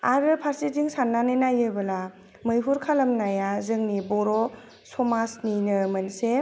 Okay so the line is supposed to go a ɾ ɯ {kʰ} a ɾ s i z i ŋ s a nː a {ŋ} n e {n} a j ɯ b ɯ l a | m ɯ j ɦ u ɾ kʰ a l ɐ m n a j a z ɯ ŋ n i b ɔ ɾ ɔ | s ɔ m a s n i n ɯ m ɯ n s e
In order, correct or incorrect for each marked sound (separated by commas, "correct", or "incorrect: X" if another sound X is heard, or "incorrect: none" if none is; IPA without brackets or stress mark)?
incorrect: pʰ, incorrect: none, correct